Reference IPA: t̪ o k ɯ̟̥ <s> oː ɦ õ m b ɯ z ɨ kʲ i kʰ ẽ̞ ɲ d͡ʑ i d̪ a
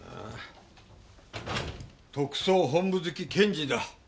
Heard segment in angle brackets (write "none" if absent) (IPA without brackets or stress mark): s